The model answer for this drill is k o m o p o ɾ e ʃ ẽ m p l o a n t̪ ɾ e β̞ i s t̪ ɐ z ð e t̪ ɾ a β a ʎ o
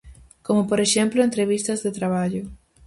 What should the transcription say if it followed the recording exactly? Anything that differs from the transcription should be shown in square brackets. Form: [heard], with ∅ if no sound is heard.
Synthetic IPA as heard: k o m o p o ɾ e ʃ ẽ m p l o [e] n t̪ ɾ e β̞ i s t̪ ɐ z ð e t̪ ɾ a β a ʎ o